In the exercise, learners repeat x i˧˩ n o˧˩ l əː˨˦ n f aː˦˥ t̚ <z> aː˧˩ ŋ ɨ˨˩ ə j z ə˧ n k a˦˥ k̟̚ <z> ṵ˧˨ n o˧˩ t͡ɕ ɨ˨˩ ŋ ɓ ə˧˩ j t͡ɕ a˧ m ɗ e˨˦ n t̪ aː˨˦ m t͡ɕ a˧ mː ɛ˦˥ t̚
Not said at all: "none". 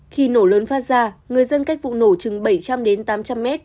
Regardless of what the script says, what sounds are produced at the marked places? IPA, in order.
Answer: z, v

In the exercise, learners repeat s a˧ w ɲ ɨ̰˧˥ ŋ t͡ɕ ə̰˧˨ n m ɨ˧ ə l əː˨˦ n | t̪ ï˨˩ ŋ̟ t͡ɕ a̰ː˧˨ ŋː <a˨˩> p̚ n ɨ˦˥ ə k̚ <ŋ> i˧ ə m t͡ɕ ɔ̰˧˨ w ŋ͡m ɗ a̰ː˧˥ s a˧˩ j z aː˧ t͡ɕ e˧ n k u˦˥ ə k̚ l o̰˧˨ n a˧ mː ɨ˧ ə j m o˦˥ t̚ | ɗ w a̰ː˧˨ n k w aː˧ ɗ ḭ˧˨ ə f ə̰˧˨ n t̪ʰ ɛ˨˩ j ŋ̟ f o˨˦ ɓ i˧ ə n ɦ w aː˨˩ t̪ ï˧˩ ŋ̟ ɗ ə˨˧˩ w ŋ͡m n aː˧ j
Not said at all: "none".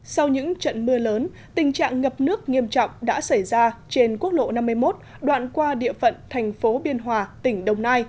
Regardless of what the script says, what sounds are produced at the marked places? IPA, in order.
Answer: ə˨˩, ŋ

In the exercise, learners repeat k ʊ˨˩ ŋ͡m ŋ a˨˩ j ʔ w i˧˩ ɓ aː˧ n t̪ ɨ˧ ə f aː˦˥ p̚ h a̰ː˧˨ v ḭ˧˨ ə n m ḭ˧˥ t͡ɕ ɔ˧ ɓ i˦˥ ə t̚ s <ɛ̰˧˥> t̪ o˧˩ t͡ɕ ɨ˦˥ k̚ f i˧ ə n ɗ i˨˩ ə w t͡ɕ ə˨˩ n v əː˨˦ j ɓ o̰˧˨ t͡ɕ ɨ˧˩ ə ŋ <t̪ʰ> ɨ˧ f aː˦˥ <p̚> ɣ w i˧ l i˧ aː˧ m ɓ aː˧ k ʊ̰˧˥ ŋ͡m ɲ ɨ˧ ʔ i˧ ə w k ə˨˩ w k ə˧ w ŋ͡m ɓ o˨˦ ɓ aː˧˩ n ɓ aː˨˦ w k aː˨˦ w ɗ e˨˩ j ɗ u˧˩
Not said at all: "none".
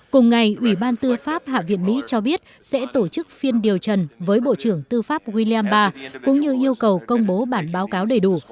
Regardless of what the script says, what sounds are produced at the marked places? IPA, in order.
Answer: ɛ̰˧˥, t̪, p̚

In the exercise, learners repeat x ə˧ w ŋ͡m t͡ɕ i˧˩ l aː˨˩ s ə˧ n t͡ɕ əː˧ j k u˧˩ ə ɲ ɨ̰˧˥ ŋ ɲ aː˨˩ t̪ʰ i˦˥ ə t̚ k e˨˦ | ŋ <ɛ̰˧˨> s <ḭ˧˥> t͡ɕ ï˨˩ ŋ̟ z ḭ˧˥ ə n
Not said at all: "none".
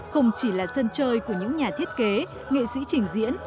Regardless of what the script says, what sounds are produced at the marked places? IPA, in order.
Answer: ḛ˧˨, ḭ˧˥

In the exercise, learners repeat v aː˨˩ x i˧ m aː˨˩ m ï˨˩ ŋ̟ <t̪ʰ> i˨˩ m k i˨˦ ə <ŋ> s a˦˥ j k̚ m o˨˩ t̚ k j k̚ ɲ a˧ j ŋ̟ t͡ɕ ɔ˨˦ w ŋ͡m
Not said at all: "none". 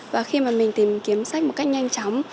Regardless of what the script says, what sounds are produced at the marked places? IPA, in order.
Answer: t̪, m

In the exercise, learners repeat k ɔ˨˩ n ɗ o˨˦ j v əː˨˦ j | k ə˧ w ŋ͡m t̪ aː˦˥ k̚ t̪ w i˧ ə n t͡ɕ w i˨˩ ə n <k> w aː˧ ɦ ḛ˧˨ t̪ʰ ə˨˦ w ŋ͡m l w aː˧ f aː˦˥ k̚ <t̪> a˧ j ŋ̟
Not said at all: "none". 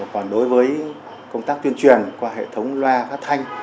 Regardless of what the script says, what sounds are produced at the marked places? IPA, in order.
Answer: k, t̪ʰ

